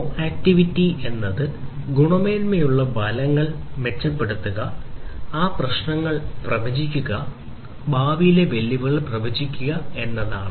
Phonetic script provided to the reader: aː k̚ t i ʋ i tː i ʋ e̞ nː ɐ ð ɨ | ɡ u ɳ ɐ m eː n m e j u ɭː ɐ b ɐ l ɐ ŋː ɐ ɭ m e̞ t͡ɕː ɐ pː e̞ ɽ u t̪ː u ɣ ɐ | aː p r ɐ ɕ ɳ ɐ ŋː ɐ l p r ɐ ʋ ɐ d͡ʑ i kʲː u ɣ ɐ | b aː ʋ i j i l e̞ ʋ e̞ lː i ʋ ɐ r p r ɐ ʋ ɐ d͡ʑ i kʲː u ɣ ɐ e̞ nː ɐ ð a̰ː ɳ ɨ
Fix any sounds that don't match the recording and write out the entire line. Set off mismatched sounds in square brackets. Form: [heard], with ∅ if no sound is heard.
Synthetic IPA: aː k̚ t i ʋ i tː i [∅] e̞ nː ɐ ð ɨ | ɡ u ɳ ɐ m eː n m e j u ɭː ɐ b ɐ l ɐ ŋː ɐ ɭ m e̞ t͡ɕː ɐ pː e̞ ɽ u t̪ː u ɣ ɐ | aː p r ɐ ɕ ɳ ɐ ŋː ɐ [ɭ] p r ɐ ʋ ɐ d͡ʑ i kʲː u ɣ ɐ | b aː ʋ i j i l e̞ ʋ e̞ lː i ʋ ɐ [ɭ] p r ɐ ʋ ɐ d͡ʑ i kʲː u ɣ ɐ e̞ nː ɐ ð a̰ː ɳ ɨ